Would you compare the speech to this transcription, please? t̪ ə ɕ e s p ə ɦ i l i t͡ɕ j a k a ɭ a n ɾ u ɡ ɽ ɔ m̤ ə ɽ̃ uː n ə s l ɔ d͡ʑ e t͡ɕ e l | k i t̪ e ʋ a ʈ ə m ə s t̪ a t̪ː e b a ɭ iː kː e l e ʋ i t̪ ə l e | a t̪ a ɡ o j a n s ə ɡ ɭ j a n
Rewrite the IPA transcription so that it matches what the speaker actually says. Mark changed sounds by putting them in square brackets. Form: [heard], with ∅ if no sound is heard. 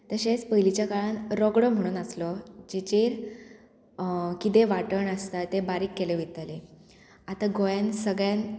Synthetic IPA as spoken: t̪ ə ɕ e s p ə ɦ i l i t͡ɕ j a k a ɭ a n ɾ [ɔ] ɡ ɽ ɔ m̤ ə ɽ̃ uː n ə s l ɔ d͡ʑ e t͡ɕ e [ɾ] | k i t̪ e ʋ a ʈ ə [ɳ] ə s t̪ a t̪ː e b a [ɾ] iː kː e l e ʋ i t̪ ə l e | a t̪ a ɡ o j a n s ə ɡ ɭ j a n